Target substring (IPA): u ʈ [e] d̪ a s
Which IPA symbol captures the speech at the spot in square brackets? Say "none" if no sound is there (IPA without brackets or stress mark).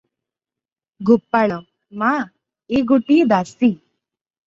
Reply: i